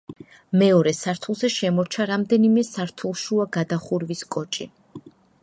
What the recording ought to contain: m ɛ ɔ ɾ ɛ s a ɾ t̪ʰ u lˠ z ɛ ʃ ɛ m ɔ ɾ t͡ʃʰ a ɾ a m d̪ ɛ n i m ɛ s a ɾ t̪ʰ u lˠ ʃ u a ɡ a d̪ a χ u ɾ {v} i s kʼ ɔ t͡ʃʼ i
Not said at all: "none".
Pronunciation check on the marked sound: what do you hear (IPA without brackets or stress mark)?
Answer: v